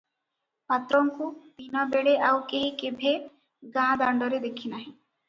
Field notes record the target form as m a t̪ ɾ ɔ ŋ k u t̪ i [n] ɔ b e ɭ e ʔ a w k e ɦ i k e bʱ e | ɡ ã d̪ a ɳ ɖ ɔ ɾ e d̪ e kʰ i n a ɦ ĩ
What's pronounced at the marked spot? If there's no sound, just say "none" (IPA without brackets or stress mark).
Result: n